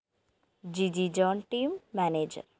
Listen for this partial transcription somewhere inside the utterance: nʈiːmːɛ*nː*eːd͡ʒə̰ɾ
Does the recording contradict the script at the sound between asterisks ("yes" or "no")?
yes